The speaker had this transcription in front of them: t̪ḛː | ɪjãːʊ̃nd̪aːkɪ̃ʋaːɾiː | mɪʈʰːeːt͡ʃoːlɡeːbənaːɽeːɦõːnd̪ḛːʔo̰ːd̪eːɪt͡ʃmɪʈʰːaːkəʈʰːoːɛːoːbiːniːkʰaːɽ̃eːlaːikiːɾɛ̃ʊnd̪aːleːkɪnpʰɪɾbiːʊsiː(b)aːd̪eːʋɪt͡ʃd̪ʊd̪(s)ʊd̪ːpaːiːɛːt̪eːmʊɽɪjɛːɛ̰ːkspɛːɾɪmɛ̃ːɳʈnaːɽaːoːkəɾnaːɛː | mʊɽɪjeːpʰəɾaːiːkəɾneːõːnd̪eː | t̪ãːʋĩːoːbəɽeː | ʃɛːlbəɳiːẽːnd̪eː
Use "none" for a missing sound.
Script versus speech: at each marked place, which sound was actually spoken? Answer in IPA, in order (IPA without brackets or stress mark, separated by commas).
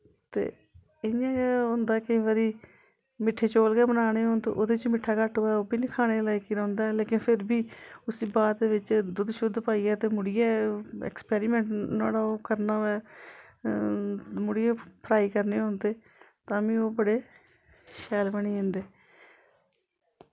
b, ʃ